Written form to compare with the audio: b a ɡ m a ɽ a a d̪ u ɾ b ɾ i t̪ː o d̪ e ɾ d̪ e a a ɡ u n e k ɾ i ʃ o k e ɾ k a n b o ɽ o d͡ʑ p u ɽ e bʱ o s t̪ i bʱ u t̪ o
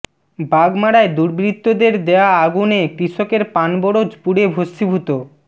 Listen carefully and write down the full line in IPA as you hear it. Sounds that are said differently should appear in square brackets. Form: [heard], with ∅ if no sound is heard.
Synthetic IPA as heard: b a ɡ m a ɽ a [e] d̪ u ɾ b ɾ i t̪ː o d̪ e ɾ d̪ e a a ɡ u n e k ɾ i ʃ o k e ɾ [p] a n b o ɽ o d͡ʑ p u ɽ e bʱ o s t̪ i bʱ u t̪ o